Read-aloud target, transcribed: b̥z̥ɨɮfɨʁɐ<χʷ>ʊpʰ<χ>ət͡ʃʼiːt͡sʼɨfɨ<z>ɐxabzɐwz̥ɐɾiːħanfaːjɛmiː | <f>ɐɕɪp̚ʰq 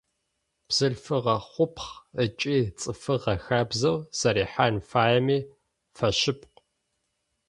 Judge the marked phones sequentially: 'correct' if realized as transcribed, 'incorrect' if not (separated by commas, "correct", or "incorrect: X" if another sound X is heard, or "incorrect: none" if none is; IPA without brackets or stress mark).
correct, correct, incorrect: ʁ, correct